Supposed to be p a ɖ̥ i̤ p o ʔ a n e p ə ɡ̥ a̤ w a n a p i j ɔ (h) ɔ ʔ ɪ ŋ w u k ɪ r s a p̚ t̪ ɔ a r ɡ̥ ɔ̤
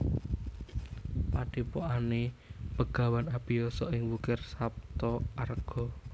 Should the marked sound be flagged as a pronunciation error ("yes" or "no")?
yes